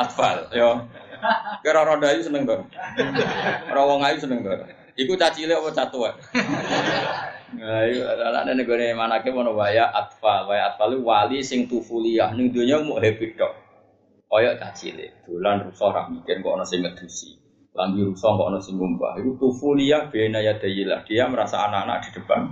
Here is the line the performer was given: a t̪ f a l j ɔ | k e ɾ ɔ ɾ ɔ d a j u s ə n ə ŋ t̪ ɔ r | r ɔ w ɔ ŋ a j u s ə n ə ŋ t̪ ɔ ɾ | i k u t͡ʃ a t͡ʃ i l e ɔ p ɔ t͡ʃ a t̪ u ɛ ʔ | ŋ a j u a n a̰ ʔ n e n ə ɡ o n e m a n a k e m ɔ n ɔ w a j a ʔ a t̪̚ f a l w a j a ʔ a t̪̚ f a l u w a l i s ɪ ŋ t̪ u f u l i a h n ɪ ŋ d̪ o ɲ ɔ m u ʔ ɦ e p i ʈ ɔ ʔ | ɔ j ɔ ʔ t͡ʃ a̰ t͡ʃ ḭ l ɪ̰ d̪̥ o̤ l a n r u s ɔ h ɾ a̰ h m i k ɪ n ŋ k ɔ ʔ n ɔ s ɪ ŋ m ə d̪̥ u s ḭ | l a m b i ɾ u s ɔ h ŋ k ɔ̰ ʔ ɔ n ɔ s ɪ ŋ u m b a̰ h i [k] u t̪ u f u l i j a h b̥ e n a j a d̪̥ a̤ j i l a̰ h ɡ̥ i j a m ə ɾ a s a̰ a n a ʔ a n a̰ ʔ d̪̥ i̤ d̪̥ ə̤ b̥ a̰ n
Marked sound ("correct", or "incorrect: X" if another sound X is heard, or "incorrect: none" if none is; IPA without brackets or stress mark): correct